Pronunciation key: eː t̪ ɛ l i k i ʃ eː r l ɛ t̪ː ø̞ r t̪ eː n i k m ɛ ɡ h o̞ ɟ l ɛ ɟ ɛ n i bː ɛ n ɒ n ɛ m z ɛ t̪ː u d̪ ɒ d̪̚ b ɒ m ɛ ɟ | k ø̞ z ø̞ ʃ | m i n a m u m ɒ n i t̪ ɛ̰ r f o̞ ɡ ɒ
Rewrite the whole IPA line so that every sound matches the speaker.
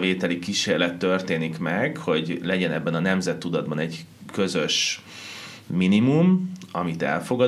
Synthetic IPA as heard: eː t̪ ɛ l i k i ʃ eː r l ɛ t̪ː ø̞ r t̪ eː n i k m ɛ ɡ h o̞ ɟ l ɛ ɟ ɛ n ɛ bː ɛ n ɒ n ɛ m z ɛ t̪ː u d̪ ɒ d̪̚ b ɒ n ɛ ɟ | k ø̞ z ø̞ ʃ | m i n i m u m ɒ m i t̪ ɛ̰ l f o̞ ɡ ɒ